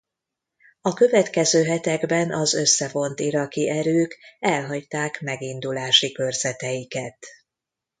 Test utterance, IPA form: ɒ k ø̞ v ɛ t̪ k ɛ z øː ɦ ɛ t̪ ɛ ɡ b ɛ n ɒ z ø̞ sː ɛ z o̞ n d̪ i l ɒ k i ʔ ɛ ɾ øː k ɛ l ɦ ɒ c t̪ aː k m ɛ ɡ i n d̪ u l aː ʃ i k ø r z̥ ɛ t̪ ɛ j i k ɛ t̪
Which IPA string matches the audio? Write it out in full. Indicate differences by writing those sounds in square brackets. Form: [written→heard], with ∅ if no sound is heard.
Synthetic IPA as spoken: ɒ k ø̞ v ɛ t̪ k ɛ z øː ɦ ɛ t̪ ɛ ɡ b ɛ n ɒ z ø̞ sː ɛ [z→v] o̞ n [d̪→t̪] i [l→ɾ] ɒ k i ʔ ɛ ɾ øː k ɛ l ɦ ɒ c t̪ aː k m ɛ ɡ i n d̪ u l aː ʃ i k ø r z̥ ɛ t̪ ɛ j i k ɛ t̪